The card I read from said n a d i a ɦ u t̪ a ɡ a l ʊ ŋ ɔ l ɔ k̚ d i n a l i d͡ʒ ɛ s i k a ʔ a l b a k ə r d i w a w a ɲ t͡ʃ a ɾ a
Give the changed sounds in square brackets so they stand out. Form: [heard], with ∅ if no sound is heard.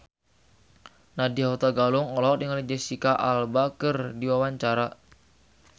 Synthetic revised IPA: n a d i a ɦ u t̪ a ɡ a l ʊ ŋ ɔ l ɔ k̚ d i [ŋ] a l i d͡ʒ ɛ s i k a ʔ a l b a k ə r d i w a w a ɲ t͡ʃ a ɾ a